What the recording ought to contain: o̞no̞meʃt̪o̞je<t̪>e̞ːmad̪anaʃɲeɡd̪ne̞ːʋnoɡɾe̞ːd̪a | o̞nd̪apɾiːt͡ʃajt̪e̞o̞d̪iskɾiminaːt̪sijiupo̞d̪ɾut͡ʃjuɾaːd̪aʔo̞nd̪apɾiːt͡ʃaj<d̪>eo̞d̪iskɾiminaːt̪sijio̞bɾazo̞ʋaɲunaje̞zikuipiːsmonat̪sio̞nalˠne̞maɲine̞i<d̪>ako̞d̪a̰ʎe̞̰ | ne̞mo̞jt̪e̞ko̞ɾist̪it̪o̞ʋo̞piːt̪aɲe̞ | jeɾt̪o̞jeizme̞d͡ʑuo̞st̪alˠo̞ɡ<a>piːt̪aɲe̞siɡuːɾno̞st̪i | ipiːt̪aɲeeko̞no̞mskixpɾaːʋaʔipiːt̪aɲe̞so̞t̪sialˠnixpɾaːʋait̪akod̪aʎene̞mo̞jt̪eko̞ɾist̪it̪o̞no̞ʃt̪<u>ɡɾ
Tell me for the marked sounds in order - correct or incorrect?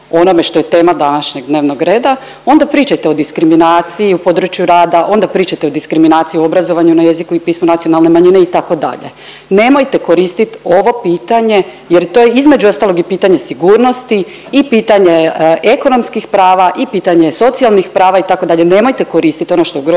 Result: correct, incorrect: t̪, incorrect: t̪, incorrect: i, incorrect: o

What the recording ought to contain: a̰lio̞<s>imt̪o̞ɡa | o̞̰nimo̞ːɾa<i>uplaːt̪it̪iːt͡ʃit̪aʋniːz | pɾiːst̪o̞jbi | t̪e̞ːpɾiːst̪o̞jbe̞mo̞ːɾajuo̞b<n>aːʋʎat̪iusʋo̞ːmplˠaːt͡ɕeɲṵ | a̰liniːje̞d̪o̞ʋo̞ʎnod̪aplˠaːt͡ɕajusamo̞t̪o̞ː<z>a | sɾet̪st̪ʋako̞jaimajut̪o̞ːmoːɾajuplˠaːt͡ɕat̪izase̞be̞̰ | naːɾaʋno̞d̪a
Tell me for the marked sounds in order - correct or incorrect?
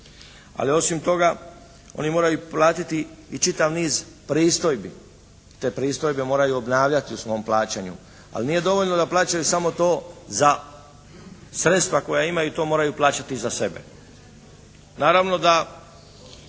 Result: correct, incorrect: j, correct, correct

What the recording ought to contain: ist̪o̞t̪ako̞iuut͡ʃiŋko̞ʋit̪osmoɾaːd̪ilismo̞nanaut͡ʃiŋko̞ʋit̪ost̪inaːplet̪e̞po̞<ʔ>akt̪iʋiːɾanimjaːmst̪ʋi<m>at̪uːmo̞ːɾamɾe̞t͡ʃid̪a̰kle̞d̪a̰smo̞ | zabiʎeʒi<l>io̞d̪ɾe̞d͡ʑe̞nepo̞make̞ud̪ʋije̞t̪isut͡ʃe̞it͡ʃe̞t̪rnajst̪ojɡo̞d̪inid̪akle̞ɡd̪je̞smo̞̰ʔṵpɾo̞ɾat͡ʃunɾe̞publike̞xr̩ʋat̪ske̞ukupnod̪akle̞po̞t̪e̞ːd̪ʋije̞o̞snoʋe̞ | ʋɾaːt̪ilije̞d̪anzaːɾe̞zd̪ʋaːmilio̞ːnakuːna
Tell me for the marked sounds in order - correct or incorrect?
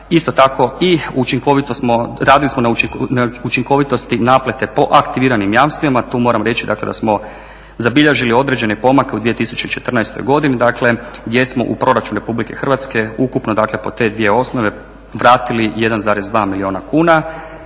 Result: correct, correct, correct

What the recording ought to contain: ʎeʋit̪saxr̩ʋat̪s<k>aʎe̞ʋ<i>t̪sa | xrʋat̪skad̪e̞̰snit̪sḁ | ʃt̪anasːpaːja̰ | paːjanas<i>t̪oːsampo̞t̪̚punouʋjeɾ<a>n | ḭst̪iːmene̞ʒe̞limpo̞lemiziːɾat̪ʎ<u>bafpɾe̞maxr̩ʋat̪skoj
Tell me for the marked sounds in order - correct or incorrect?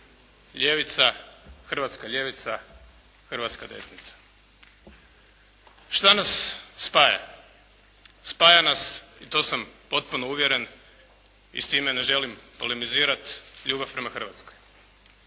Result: correct, correct, correct, incorrect: e, incorrect: uː

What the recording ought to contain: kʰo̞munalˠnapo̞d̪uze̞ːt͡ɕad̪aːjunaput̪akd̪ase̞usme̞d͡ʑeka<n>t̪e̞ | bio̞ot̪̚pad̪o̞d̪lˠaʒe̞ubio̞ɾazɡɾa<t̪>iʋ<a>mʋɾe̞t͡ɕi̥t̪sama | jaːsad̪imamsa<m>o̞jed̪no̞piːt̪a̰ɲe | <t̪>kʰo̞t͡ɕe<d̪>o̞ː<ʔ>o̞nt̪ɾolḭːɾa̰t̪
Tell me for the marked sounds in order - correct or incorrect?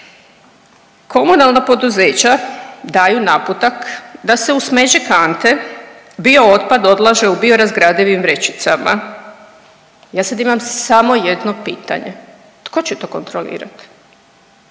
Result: correct, incorrect: d̪, incorrect: i, correct, correct, incorrect: t̪, incorrect: k

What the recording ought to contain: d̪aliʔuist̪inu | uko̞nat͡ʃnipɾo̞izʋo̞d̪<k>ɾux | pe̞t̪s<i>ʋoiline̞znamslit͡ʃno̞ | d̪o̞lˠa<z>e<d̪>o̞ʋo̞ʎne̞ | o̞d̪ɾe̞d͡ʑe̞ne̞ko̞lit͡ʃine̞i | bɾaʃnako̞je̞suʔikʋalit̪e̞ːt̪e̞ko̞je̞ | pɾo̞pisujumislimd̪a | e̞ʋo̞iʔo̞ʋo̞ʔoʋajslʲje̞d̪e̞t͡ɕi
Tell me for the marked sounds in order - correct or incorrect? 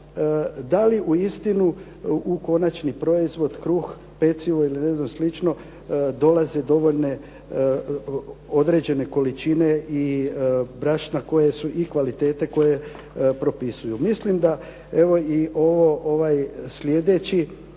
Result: correct, correct, correct, correct

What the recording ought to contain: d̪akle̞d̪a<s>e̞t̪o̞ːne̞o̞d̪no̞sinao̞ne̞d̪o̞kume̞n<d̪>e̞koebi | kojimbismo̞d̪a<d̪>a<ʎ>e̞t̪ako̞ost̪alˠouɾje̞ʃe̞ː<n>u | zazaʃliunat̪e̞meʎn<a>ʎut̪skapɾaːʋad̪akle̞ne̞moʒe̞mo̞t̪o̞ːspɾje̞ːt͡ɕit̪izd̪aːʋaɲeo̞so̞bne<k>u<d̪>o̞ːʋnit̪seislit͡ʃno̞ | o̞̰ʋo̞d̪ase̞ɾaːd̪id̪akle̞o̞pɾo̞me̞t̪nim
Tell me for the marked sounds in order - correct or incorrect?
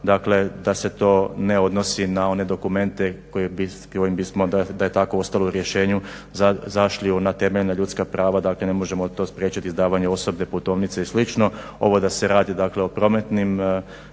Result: correct, incorrect: t̪, correct, incorrect: j, incorrect: ɲ, correct, incorrect: p, incorrect: t̪

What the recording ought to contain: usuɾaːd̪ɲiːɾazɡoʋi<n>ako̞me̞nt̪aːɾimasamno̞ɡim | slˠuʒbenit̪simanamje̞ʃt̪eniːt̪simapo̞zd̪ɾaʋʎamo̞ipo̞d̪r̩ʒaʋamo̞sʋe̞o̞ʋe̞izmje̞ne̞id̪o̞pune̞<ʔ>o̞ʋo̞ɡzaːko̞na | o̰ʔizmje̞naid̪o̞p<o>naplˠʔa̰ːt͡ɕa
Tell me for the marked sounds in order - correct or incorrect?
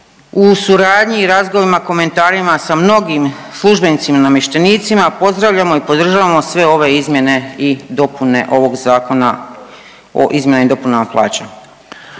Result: incorrect: m, correct, incorrect: u

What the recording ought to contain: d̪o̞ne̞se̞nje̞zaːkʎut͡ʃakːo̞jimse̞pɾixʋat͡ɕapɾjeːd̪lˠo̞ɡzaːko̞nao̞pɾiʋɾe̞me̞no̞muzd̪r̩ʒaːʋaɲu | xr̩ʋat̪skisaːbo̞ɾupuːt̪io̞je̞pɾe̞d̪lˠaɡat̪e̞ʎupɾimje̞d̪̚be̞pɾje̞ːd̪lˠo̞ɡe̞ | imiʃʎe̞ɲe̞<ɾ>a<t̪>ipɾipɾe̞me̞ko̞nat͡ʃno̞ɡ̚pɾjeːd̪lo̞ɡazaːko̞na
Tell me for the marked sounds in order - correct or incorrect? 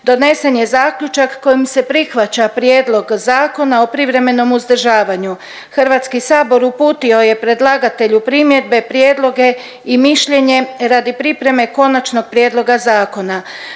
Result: correct, incorrect: d̪

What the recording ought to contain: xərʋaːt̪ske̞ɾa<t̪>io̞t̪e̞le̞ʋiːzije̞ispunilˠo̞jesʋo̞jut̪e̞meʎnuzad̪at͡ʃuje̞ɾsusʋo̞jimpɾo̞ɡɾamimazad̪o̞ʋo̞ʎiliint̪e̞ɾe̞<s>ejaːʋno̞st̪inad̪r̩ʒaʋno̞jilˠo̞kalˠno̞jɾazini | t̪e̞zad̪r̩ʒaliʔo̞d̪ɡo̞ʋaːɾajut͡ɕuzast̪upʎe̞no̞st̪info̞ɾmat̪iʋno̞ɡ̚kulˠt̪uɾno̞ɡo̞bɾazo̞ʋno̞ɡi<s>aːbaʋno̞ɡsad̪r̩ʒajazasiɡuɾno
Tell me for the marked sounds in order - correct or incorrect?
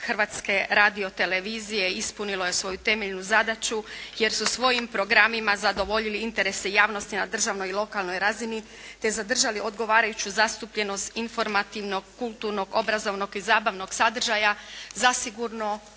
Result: incorrect: d̪, correct, incorrect: z

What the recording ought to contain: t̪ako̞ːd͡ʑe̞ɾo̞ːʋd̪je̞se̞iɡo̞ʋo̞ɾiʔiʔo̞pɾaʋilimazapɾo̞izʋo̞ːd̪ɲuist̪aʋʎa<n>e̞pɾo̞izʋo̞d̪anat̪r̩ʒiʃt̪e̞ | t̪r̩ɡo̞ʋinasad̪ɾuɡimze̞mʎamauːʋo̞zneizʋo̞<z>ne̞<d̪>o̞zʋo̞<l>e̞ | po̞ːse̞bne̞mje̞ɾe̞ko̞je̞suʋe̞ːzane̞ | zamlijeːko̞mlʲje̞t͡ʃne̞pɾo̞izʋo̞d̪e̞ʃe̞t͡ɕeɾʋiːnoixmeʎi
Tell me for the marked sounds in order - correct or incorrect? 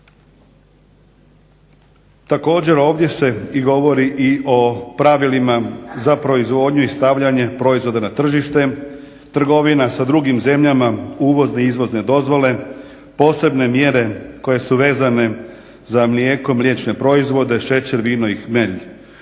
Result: incorrect: ɲ, correct, correct, correct

